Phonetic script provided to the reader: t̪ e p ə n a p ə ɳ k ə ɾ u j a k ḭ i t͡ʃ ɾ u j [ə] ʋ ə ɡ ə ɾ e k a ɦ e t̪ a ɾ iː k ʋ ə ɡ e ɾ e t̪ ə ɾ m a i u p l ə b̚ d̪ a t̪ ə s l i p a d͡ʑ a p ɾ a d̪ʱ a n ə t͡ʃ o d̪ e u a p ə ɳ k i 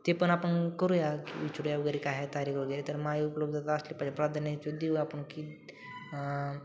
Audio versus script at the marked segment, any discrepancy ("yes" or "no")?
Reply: yes